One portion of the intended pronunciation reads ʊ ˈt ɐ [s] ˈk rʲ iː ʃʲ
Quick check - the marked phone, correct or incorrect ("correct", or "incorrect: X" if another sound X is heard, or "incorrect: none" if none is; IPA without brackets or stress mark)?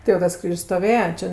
correct